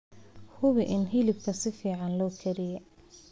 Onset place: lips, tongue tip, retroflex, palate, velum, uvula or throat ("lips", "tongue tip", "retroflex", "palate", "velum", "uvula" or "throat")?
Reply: throat